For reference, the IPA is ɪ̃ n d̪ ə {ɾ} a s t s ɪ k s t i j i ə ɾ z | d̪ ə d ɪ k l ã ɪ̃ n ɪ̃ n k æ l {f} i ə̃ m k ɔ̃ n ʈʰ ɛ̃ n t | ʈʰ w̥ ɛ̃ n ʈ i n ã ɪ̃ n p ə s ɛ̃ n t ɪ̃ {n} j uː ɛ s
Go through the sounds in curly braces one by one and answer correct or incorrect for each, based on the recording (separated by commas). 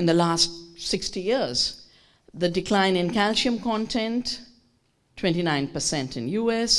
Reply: incorrect, incorrect, correct